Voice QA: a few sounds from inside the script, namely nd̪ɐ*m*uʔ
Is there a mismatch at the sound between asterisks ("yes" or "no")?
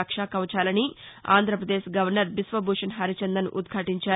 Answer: yes